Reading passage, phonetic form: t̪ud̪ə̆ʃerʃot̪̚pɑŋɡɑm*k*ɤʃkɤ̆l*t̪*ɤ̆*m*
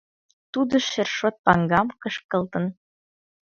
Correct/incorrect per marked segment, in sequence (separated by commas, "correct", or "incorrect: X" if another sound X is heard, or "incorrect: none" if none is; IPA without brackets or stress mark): correct, correct, incorrect: n